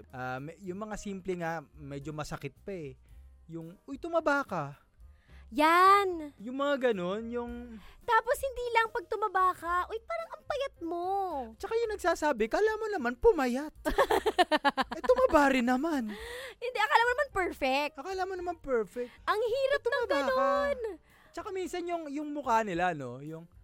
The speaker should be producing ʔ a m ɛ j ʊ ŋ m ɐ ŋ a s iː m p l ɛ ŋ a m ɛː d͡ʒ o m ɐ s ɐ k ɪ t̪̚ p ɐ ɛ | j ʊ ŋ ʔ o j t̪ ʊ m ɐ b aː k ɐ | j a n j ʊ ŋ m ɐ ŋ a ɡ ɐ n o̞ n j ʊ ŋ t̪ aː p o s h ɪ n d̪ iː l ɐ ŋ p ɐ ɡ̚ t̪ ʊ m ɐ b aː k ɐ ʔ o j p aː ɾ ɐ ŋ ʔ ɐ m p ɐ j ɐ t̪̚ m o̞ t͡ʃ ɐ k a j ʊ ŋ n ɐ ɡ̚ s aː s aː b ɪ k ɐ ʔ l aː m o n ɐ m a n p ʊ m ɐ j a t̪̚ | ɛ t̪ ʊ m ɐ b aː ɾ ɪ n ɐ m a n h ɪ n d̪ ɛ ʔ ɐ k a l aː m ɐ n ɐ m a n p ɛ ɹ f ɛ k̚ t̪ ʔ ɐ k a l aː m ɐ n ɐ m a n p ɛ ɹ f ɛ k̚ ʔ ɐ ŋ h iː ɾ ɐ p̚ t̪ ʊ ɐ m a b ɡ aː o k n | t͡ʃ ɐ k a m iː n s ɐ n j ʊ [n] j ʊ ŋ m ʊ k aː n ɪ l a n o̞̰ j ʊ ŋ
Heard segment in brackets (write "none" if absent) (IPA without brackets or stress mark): ŋ